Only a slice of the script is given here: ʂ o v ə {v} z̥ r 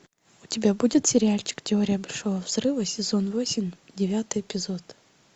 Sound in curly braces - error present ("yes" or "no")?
no